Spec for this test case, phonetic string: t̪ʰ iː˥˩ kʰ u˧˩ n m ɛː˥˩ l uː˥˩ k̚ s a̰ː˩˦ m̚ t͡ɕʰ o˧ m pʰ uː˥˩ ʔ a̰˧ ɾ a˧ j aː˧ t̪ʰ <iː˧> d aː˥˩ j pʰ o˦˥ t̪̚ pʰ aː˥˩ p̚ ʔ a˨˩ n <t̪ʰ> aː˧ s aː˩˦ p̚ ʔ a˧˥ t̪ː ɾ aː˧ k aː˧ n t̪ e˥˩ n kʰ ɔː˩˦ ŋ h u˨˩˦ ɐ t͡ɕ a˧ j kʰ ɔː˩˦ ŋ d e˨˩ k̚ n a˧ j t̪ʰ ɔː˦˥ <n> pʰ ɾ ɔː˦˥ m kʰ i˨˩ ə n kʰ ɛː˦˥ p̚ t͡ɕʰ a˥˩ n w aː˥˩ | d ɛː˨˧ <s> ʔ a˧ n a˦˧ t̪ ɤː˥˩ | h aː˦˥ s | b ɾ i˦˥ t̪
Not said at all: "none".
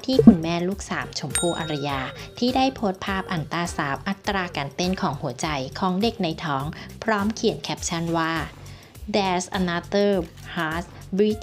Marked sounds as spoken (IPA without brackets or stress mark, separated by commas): iː˥˩, t̪, ŋ, s